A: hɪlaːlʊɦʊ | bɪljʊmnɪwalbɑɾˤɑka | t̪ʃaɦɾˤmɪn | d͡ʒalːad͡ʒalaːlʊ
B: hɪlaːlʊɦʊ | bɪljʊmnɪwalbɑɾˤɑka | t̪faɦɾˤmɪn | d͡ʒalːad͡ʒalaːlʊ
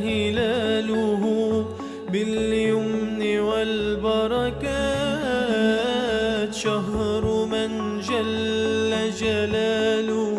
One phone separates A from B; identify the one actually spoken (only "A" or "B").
A